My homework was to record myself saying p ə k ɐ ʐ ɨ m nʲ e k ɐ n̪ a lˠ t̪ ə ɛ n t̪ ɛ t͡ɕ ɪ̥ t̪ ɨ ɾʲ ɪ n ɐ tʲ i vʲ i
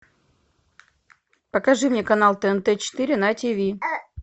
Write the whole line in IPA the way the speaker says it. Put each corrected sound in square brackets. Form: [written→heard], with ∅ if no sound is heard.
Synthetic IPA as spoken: p ə k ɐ ʐ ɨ m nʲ e k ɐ n̪ a lˠ t̪ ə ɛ n t̪ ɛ t͡ɕ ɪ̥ t̪ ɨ ɾʲ ɪ n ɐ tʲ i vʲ i